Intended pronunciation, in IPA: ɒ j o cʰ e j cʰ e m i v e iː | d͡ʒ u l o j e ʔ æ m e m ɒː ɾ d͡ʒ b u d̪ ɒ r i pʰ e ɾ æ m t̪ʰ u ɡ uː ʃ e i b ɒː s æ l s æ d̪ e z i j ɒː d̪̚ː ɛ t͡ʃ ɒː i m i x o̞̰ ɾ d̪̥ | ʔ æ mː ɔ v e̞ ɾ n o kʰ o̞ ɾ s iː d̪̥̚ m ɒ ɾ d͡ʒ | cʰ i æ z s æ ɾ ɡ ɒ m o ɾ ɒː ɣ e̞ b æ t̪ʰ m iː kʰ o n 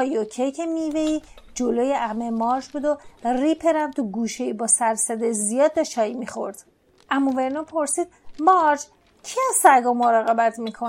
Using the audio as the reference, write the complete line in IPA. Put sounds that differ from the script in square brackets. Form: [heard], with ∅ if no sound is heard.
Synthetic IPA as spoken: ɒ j o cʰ e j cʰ e m i v e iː | d͡ʒ [o] l o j e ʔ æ m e m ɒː ɾ d͡ʒ b u d̪ [o] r i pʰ e ɾ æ m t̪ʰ u ɡ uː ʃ e i b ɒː s æ [ɾ] s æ d̪ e z i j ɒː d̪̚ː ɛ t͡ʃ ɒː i m i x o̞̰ ɾ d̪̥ | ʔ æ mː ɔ v e̞ ɾ n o [pʰ] o̞ ɾ s iː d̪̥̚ m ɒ ɾ d͡ʒ | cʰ i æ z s æ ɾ ɡ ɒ m o ɾ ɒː ɣ e̞ b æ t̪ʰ m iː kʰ o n